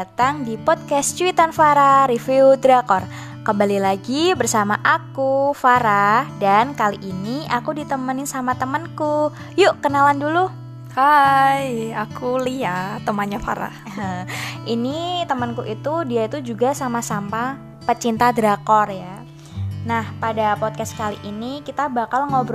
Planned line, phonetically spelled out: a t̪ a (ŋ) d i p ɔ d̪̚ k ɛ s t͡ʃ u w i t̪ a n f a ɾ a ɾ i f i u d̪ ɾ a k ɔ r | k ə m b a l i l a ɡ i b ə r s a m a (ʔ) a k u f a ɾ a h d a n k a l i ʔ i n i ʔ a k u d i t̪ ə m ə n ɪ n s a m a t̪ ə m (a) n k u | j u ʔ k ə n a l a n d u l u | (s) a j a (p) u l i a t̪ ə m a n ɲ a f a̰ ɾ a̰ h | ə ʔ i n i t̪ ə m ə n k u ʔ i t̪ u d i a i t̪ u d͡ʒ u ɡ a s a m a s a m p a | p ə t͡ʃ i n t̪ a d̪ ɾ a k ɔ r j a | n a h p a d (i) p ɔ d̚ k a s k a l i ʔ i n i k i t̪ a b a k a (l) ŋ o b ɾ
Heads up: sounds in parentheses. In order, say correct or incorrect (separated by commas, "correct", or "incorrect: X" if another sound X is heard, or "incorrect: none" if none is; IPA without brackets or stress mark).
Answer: correct, correct, incorrect: ə, incorrect: h, incorrect: k, incorrect: a, correct